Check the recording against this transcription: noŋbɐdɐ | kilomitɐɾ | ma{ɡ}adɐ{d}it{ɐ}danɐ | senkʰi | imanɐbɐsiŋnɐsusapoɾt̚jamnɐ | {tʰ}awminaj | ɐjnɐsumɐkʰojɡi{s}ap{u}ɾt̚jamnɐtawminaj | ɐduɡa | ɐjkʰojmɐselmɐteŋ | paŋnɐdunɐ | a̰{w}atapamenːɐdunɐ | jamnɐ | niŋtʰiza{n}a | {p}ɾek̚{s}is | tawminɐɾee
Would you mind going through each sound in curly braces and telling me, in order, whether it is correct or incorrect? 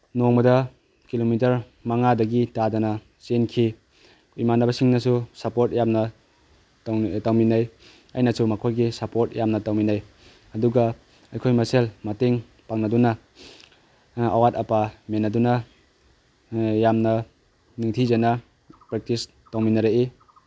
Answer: incorrect, incorrect, incorrect, incorrect, correct, incorrect, correct, correct, correct, incorrect

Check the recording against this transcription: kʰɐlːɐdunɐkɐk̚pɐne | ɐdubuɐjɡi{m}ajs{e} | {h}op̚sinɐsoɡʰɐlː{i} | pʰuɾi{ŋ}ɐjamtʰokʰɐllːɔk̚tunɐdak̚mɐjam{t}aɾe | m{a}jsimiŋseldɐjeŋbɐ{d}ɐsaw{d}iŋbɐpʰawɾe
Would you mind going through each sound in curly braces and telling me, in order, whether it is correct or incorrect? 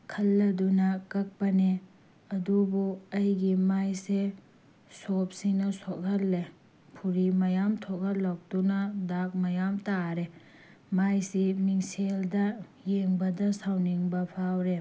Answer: correct, correct, incorrect, incorrect, incorrect, correct, correct, correct, incorrect

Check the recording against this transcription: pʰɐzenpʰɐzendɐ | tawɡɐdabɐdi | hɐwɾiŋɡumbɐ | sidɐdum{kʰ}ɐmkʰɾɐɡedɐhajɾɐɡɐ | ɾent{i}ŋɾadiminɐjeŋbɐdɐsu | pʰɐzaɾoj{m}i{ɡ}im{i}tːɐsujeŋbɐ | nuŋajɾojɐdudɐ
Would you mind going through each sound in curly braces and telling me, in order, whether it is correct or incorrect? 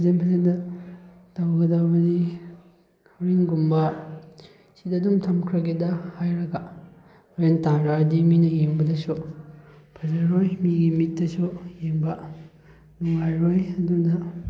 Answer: incorrect, incorrect, correct, correct, correct

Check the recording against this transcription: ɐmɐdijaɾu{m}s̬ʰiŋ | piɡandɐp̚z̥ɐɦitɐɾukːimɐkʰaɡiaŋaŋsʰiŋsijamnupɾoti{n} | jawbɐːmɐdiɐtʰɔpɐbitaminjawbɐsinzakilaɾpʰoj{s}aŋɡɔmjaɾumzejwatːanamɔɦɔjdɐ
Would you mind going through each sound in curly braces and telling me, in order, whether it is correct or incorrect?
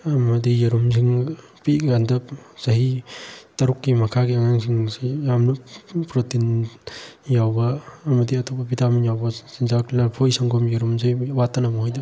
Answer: correct, correct, correct

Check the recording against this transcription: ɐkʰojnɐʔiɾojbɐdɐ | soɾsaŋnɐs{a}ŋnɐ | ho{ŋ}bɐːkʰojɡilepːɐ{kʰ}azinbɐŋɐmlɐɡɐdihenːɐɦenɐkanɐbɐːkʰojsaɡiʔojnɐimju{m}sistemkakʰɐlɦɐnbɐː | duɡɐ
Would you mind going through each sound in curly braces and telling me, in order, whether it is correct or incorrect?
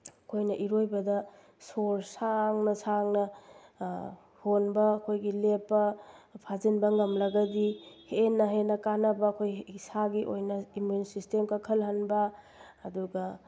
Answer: correct, incorrect, incorrect, incorrect

